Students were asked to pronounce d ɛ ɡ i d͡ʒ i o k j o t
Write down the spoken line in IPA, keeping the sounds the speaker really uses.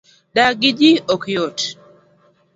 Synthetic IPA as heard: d a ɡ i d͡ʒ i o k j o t